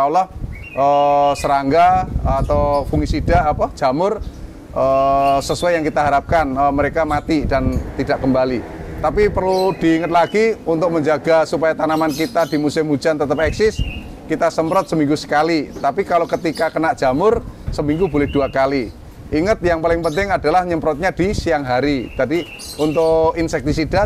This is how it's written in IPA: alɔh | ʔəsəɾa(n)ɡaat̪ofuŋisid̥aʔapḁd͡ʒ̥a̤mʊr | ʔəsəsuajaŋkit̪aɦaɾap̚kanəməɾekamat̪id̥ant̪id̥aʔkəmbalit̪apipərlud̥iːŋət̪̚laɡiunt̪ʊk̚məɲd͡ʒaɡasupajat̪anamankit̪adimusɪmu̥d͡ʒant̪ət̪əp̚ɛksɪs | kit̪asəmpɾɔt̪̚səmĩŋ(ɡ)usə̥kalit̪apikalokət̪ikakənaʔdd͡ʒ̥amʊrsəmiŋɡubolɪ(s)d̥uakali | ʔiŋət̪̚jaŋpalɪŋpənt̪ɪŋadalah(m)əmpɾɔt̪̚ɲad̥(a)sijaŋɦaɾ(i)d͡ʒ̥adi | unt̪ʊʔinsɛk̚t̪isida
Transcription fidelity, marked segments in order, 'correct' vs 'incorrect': incorrect: ŋ, correct, incorrect: h, incorrect: ɲ, incorrect: i, correct

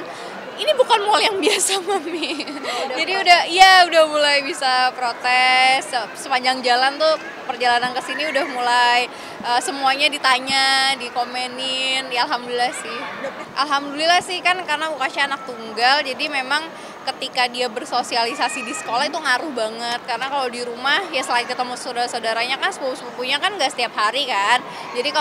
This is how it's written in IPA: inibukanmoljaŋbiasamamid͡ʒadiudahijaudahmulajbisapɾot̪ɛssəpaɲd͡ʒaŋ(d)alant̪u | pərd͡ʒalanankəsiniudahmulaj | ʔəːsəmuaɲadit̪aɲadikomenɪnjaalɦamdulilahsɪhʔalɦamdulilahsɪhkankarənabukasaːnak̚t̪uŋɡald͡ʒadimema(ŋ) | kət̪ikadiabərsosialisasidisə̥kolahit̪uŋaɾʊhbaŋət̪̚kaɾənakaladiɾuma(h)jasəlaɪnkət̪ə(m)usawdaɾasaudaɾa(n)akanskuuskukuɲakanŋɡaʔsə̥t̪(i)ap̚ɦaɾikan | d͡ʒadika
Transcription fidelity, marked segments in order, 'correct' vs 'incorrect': incorrect: d͡ʒ, correct, correct, correct, incorrect: ɲ, correct

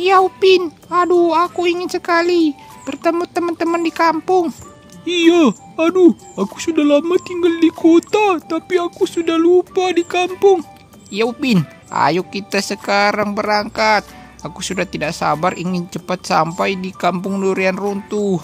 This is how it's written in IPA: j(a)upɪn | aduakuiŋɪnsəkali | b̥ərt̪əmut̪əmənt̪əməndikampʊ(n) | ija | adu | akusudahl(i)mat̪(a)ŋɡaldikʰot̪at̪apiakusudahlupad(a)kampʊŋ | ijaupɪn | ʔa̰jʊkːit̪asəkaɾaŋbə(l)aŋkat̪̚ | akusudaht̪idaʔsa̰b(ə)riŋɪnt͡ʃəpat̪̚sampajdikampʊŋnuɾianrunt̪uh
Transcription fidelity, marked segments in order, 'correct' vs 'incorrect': correct, incorrect: ŋ, incorrect: a, incorrect: i, incorrect: i, incorrect: ɾ, incorrect: a

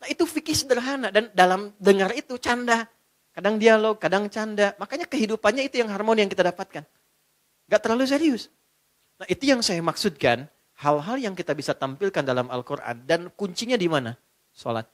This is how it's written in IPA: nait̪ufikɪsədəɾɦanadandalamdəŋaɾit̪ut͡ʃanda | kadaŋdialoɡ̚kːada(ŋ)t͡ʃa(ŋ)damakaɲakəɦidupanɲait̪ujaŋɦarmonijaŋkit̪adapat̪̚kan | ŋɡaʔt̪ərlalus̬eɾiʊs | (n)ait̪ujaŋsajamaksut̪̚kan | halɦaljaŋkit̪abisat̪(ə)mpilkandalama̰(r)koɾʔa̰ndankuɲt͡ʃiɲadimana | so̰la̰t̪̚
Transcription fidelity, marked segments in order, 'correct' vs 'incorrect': correct, incorrect: n, correct, incorrect: a, incorrect: l

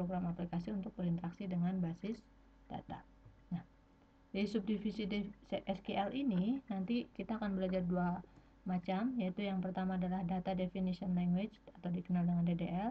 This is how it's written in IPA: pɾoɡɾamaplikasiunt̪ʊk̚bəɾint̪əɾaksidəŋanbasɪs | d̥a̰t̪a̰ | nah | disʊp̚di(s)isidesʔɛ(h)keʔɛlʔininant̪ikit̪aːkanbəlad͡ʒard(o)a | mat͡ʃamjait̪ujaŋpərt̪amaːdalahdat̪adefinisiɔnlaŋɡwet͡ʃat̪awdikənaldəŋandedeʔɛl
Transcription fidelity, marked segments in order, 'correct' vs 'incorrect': incorrect: f, incorrect: s, incorrect: u

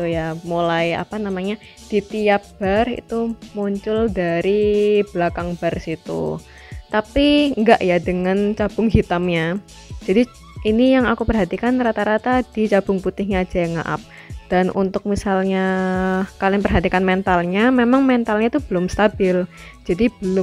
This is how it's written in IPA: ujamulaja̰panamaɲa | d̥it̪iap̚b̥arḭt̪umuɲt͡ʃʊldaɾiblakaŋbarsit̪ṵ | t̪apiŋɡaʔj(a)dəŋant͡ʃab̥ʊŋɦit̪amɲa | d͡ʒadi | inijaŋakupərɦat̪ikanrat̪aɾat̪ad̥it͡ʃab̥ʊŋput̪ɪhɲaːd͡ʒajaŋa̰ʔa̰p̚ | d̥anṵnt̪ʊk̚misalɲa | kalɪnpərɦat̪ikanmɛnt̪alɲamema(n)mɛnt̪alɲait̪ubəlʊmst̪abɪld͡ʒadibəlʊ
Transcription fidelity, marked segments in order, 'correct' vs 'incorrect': correct, incorrect: ŋ

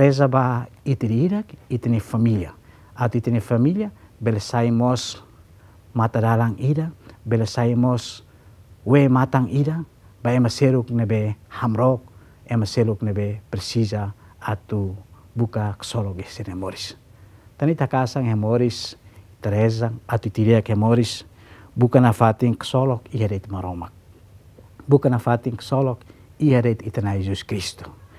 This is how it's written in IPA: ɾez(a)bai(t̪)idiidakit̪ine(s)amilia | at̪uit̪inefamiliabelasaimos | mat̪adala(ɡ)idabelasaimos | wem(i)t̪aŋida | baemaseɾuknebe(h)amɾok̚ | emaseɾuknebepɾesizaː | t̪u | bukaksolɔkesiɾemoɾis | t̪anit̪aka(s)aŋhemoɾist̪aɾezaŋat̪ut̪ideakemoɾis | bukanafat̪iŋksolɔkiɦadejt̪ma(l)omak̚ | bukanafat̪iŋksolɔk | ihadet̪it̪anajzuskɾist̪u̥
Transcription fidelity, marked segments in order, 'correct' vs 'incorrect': correct, correct, incorrect: f, incorrect: ŋ, incorrect: a, correct, correct, incorrect: ɾ

